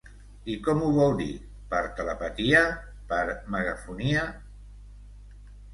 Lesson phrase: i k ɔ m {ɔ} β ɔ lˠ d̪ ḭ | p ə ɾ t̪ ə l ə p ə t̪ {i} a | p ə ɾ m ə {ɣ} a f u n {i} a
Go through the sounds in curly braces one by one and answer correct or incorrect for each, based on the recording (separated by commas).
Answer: incorrect, correct, correct, correct